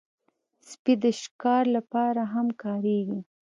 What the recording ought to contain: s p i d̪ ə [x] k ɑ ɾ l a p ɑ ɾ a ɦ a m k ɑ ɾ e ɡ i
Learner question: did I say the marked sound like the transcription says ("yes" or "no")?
no